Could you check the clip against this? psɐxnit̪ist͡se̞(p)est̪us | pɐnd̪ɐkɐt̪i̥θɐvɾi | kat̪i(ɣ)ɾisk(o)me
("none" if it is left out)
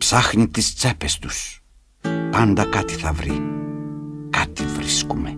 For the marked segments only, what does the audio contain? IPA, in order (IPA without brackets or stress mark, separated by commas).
p, v, u